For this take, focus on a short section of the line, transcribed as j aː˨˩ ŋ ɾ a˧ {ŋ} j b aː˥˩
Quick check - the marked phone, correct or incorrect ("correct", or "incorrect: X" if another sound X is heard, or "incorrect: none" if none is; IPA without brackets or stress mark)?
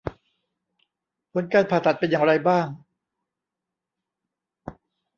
incorrect: none